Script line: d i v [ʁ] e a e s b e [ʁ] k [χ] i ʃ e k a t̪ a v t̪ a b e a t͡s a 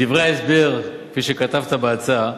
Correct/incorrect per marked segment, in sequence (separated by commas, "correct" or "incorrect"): correct, correct, incorrect